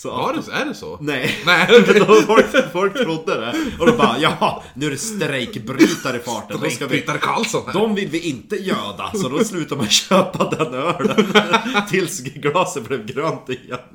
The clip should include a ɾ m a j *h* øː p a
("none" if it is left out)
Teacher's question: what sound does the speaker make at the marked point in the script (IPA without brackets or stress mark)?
ɕ